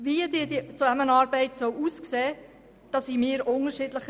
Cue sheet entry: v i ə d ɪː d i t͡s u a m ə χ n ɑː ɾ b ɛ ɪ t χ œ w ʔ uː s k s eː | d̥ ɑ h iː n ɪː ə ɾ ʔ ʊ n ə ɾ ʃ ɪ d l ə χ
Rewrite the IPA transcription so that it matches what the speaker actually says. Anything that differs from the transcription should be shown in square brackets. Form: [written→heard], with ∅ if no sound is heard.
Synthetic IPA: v i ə d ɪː d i t͡s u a m ə [χ→∅] n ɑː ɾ b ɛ ɪ t [χ→s] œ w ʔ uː s k s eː | d̥ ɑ [h→s] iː [n→m] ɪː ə ɾ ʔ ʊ n ə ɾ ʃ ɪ d l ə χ